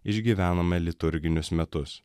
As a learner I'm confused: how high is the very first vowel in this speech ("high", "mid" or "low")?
high